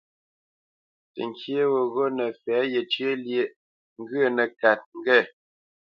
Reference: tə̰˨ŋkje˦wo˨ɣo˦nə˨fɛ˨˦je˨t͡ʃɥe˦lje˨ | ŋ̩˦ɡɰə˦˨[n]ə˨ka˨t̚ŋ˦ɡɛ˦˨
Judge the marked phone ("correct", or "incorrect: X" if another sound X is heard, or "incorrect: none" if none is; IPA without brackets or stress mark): correct